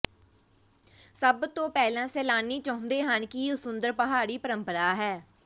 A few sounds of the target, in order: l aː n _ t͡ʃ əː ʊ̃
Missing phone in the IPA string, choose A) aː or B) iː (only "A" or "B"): B